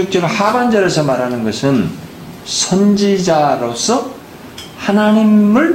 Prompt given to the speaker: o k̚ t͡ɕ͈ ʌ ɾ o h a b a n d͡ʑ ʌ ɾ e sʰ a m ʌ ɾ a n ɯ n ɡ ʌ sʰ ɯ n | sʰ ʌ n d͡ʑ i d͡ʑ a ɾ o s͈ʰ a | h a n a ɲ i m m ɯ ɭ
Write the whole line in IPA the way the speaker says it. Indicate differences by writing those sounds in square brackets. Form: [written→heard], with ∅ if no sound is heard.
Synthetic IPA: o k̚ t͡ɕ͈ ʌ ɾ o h a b a n d͡ʑ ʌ ɾ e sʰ [a→ʌ] m [ʌ→a] ɾ a n ɯ n ɡ ʌ sʰ ɯ n | sʰ ʌ n d͡ʑ i d͡ʑ a ɾ o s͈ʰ [a→ʌ] | h a n a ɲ i m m ɯ ɭ